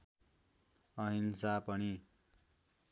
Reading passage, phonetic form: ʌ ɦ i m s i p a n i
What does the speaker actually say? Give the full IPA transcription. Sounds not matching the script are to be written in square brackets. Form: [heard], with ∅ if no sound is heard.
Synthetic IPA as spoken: ʌ ɦ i [n] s [a] p [ʌ] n i